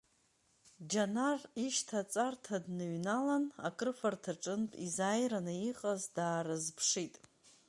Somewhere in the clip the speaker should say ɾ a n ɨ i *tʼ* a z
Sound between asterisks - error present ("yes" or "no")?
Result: yes